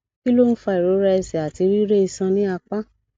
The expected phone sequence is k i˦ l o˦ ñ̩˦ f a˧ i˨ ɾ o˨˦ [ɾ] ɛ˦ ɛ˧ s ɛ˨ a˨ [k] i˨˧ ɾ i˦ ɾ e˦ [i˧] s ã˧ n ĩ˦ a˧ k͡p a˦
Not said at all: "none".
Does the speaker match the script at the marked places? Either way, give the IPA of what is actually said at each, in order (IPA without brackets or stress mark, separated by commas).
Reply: ɾ, t, i˧